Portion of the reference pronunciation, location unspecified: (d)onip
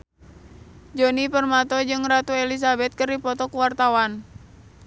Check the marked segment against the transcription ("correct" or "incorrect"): incorrect